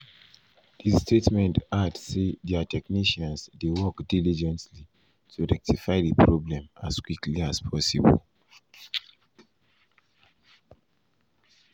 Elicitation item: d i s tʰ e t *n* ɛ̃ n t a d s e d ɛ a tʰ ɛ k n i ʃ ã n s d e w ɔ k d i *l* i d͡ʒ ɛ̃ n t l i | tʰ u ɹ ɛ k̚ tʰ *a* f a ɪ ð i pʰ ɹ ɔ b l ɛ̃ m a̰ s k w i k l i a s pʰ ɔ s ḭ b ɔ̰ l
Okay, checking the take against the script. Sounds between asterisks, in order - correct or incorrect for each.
incorrect: m, correct, incorrect: i

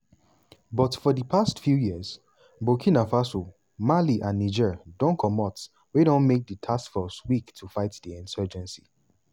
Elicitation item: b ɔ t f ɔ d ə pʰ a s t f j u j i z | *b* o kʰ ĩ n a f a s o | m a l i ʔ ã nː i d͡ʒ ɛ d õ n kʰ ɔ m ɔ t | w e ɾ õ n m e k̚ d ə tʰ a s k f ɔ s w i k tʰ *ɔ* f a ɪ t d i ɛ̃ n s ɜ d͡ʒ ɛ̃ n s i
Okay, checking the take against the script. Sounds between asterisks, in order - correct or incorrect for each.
correct, incorrect: u

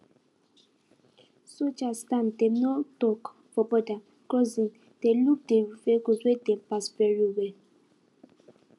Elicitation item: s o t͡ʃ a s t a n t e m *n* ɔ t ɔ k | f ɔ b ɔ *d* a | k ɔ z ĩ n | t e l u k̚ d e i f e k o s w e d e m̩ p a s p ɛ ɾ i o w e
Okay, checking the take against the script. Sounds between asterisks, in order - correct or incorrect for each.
correct, correct

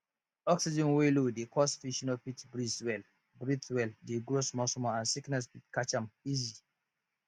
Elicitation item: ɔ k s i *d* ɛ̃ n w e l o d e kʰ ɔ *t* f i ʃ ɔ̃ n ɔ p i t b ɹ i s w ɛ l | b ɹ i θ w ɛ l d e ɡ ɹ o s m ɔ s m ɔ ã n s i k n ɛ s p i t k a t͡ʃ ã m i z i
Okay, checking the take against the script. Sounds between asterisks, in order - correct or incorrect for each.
incorrect: d͡ʒ, incorrect: s

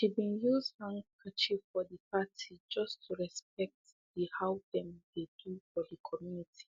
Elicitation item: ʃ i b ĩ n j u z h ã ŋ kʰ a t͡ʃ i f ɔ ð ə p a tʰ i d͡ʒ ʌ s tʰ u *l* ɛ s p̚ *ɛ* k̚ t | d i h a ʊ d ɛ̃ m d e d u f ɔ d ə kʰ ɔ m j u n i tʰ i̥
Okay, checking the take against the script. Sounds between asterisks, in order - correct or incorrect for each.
incorrect: ɹ, correct

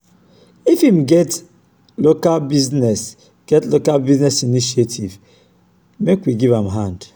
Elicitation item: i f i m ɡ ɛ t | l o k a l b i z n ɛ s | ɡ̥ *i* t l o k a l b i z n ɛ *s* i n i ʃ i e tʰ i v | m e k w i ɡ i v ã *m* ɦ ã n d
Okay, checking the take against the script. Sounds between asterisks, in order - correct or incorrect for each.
incorrect: ɛ, correct, correct

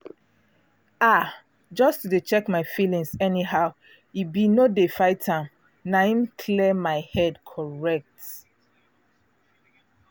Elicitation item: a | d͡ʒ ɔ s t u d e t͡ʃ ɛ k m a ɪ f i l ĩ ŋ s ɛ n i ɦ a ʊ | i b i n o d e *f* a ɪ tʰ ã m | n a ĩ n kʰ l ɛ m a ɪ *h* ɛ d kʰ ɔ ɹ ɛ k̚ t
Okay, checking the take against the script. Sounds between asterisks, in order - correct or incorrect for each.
correct, correct

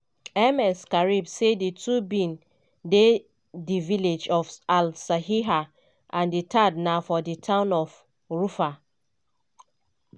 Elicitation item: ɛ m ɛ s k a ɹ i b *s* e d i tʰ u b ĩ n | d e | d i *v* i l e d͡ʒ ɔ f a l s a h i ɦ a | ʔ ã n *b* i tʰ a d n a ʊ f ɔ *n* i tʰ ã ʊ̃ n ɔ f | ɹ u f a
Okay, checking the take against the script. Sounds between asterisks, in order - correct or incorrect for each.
correct, correct, incorrect: d, incorrect: d

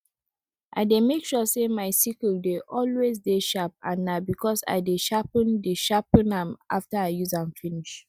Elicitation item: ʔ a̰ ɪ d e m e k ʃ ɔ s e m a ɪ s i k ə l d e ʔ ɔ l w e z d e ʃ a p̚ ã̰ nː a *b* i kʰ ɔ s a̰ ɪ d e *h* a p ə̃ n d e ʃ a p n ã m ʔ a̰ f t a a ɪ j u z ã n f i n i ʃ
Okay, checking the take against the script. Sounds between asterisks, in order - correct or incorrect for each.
correct, incorrect: ʃ

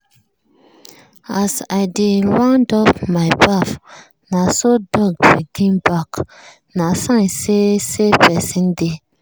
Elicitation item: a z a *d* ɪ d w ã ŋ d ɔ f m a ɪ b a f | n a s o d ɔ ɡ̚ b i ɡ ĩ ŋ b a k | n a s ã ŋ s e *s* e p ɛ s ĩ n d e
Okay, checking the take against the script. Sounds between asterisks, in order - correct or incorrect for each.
correct, correct

